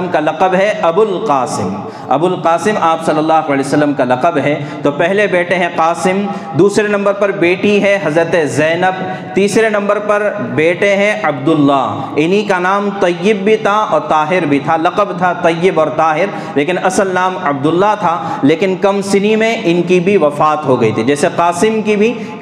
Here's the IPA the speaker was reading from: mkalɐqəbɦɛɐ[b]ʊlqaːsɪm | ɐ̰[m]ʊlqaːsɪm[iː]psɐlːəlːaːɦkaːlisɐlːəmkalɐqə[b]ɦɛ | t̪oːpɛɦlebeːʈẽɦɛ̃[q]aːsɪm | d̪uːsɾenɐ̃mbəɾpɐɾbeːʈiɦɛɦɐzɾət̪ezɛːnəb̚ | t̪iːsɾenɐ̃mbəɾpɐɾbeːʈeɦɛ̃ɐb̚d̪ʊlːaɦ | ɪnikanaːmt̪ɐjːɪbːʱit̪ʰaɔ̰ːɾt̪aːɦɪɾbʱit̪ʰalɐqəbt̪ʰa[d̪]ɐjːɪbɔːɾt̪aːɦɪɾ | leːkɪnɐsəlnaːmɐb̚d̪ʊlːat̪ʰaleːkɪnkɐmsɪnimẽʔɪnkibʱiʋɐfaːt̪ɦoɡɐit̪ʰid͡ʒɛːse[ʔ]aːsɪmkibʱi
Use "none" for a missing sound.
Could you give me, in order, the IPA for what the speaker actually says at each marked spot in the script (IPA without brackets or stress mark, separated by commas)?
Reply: b, b, aː, b, q, t̪, q